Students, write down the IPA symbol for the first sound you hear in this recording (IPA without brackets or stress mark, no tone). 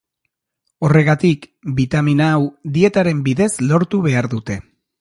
o̞